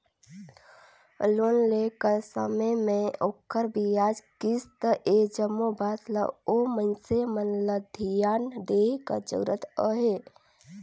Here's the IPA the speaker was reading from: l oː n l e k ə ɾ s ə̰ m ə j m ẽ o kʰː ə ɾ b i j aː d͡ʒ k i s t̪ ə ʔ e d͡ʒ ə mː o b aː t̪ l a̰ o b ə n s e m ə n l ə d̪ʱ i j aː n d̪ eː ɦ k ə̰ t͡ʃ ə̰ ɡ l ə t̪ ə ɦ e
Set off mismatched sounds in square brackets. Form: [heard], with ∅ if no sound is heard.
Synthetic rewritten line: l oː n l e k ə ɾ s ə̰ m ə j m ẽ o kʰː ə ɾ b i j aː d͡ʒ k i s t̪ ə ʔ e d͡ʒ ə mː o b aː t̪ l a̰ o [m] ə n s e m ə n l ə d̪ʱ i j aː n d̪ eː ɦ k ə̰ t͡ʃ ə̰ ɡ [ɾ] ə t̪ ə ɦ e